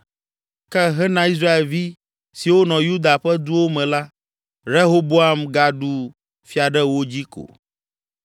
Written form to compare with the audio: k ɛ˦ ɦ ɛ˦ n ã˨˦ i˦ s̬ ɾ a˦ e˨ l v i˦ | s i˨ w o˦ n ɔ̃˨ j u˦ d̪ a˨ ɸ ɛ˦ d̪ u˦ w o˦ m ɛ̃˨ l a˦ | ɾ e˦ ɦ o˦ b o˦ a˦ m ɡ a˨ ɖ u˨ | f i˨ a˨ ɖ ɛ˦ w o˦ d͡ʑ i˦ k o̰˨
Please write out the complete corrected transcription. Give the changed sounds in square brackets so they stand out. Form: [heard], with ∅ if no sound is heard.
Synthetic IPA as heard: k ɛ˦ ɦ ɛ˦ n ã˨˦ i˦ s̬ ɾ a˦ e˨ l v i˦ | s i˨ w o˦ n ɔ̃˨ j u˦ d̪ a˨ ɸ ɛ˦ d̪ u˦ w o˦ m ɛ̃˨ l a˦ | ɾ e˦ ɦ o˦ b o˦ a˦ m ɡ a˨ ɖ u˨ | f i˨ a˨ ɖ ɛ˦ w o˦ d͡ʑ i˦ k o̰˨